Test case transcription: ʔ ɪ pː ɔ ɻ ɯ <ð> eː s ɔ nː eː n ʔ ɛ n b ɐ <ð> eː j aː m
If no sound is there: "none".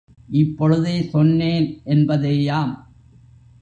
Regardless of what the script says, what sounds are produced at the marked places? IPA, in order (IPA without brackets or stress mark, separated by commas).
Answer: ð, ð